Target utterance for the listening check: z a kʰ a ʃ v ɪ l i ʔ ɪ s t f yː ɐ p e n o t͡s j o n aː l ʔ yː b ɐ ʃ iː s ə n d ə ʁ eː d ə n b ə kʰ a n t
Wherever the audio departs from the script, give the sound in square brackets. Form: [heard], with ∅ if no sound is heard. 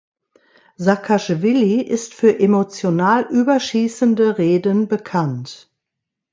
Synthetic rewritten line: z a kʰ a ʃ v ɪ l i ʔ ɪ s t f yː ɐ [ʔ] e [m] o t͡s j o n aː l ʔ yː b ɐ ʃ iː s ə n d ə ʁ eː d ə n b ə kʰ a n t